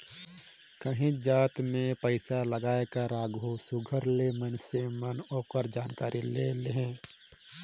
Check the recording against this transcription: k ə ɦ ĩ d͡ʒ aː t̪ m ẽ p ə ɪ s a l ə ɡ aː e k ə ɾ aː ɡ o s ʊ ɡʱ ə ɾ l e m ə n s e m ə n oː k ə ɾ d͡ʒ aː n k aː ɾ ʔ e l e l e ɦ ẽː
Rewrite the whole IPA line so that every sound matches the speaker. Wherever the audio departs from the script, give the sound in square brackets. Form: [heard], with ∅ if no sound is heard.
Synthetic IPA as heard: k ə ɦ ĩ d͡ʒ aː t̪ m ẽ p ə ɪ s a l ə ɡ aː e k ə ɾ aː ɡ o s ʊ ɡʱ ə ɾ l e m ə n s e m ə n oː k ə ɾ d͡ʒ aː n k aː ɾ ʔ [i] l e l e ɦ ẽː